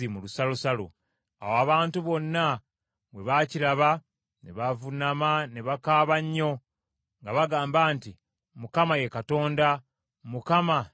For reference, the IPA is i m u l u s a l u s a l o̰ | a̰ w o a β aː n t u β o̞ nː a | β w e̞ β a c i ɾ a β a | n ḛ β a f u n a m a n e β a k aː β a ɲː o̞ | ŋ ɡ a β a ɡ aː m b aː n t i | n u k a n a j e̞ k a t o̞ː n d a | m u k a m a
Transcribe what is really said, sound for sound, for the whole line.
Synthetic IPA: i m u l u s a l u s a l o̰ | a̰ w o a β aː n t u β o̞ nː a | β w e̞ β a c i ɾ a β a | n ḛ β a v u n a m a n e β a k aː β a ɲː o̞ | ŋ ɡ a β a ɡ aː m b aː n t i | m u k a m a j e̞ k a t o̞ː n d a | m u k a m a

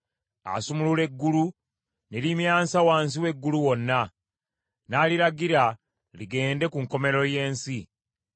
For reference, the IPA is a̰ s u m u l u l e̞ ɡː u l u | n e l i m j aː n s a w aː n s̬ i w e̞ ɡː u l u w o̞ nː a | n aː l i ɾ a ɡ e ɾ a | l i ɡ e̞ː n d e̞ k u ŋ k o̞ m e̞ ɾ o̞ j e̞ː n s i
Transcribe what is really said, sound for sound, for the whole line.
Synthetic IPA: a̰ s u m u l u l e̞ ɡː u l u | n e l i m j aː n s a w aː n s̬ i w e̞ ɡː u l u w o̞ nː a | n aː l i ɾ a ɡ i ɾ a | l i ɡ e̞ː n d e̞ k u ŋ k o̞ m e̞ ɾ o̞ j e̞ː n s i

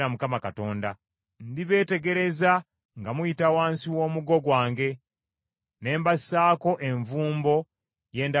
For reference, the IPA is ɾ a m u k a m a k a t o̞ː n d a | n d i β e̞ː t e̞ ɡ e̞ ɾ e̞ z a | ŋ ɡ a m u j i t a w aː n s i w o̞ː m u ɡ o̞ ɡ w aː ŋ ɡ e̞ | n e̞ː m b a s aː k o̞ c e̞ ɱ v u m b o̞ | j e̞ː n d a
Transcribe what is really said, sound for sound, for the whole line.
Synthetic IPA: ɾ a m u k a m a k a t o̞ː n d a | n d i β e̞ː t e̞ ɡ e̞ ɾ e̞ z a | ŋ ɡ a m u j i t a w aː n s i w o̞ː m u ɡ o̞ ɡ w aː ŋ ɡ e̞ | n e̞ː m b a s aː k o̞ ʔ e̞ ɱ v uː m b o̞ | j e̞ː n d a

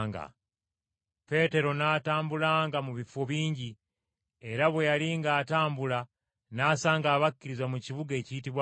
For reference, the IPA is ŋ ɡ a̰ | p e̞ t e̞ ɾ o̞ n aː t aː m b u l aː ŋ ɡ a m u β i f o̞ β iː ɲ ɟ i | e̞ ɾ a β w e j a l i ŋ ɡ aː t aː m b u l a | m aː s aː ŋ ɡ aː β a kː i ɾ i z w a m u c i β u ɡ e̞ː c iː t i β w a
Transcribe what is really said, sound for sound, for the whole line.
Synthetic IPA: ŋ ɡ a̰ | p e̞ t e̞ ɾ o̞ n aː t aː m b u l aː ŋ ɡ a m u β i f o̞ β iː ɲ ɟ i | e̞ ɾ a β w e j a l i ŋ ɡ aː t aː m b u l a | n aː s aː ŋ ɡ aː β a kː i ɾ i z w a m u c i β u ɡ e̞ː c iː t i β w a

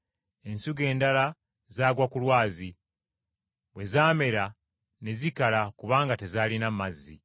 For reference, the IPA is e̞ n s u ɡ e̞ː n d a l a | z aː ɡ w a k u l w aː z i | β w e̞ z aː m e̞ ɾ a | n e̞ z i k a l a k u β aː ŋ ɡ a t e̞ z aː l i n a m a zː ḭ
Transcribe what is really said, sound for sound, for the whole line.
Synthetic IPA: e̞ n s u ɡ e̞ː n d a l a | z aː ɡ w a k u l w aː z i | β w e̞ z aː m e̞ ɾ a | n e̞ z i k a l a k u β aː ŋ ɡ a t e̞ z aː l i n a m a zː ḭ

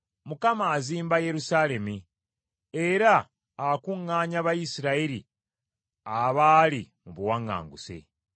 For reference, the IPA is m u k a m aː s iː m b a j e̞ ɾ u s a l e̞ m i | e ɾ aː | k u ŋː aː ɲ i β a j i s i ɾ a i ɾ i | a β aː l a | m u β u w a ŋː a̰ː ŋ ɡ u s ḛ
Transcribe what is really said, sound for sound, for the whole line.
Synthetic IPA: m u k a m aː z iː m b a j e̞ ɾ u s a l e̞ m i | e ɾ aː | k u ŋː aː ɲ a β a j i s i ɾ a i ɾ i | a β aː l i | m u β u w a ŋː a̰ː ŋ ɡ u s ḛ

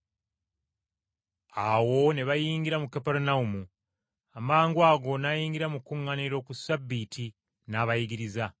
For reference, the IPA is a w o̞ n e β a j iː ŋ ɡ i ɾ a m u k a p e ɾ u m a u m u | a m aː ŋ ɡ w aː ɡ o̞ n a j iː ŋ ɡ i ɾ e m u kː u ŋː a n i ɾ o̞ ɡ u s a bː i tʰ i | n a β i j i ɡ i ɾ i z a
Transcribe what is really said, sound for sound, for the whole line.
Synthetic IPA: a w o̞ n e β a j iː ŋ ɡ i ɾ a m u k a p e ɾ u n a u m u | a m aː ŋ ɡ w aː ɡ o̞ n a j iː ŋ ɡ i ɾ a m u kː u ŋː a n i ɾ o̞ k u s a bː i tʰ i | n a β a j i ɡ i ɾ i z a

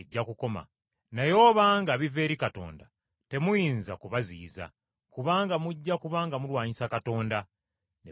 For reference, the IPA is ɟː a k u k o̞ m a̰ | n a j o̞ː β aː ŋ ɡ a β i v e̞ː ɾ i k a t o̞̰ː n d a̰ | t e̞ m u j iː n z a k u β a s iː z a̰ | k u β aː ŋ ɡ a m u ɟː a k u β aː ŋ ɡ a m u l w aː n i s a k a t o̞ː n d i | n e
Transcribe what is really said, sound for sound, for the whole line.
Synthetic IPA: ɟː a k u k o̞ m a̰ | n a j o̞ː β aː ŋ ɡ a β i v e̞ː ɾ i k a t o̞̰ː n d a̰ | t e̞ m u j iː n z a k u β a z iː z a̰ | k u β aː ŋ ɡ a m u ɟː a k u β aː ŋ ɡ a m u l w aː ɲ i s a k a t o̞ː n d a | n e

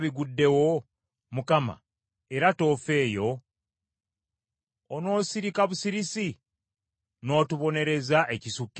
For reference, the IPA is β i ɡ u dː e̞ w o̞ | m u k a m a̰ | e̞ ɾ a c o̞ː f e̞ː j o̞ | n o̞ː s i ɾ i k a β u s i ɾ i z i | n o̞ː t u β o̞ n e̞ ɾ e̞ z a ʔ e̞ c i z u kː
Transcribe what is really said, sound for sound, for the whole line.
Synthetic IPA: β i ɡ u dː e̞ w o̞ | m u k a m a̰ | e̞ ɾ a t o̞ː f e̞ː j o̞ | n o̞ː s i ɾ i k a β u s i ɾ i s i | n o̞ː t u β o̞ n e̞ ɾ e̞ z a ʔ e̞ c i s u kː

